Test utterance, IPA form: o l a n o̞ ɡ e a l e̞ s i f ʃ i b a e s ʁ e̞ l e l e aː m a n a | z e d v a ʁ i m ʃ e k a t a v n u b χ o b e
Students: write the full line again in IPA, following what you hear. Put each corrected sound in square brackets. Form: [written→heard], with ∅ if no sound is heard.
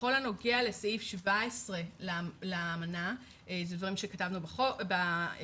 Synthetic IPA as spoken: o l a n o̞ ɡ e a l e̞ s i f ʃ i [b→v] a e s ʁ e̞ l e l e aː m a n a | z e d v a ʁ i m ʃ e k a t a v n u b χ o b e